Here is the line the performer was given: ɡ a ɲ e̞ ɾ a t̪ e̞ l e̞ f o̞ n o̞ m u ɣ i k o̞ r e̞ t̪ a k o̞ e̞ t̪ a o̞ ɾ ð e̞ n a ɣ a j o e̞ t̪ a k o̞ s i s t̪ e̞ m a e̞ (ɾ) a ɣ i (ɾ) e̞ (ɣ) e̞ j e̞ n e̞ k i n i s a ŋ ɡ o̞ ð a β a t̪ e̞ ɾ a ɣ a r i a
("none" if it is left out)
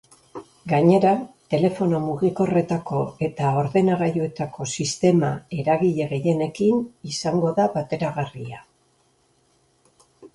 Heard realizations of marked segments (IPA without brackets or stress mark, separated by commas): ɾ, ʎ, ɣ